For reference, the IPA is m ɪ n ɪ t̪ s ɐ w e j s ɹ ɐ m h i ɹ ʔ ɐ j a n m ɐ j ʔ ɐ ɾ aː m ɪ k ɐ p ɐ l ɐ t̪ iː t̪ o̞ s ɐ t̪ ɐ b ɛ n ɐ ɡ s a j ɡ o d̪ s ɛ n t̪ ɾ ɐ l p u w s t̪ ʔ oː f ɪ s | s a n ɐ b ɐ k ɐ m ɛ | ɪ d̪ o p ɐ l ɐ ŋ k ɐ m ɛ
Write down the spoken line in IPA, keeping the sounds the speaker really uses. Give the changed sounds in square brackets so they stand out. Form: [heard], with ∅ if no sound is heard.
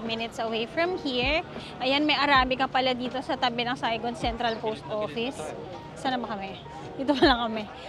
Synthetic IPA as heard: m ɪ n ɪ t̪ s ɐ w e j [f] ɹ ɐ m h i ɹ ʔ ɐ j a n m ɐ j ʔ ɐ ɾ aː m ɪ k ɐ p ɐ l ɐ [d̪] iː t̪ o̞ s ɐ t̪ ɐ b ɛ n ɐ [ŋ] s a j ɡ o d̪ s ɛ n t̪ ɾ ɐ l p [o] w s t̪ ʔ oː f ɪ s | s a n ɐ b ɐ k ɐ m ɛ | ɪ [t̪] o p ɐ l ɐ ŋ k ɐ m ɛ